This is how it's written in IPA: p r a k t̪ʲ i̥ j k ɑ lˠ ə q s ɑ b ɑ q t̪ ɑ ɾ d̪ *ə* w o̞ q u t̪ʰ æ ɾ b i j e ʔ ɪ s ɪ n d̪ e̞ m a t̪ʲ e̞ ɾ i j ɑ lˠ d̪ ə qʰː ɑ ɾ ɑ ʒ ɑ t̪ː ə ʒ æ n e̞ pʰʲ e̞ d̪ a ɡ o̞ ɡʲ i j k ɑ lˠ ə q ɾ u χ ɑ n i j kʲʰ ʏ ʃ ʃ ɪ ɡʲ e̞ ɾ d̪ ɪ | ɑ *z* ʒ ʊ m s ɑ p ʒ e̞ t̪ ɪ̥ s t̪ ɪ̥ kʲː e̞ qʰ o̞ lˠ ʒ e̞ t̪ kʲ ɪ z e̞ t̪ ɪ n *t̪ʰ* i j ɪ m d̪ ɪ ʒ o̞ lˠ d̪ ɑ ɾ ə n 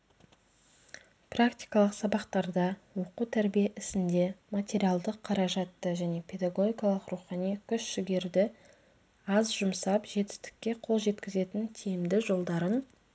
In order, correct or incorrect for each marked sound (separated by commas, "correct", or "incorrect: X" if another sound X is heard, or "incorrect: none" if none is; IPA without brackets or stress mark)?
incorrect: ɑ, correct, correct